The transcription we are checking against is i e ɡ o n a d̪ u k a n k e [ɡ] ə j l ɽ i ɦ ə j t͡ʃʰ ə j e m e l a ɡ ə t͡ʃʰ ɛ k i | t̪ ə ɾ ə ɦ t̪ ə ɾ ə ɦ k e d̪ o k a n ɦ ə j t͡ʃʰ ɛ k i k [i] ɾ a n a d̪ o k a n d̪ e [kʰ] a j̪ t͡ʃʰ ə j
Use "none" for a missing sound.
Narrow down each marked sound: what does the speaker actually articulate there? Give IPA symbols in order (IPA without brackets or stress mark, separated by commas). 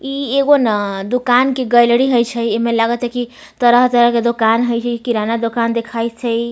ɡ, i, kʰ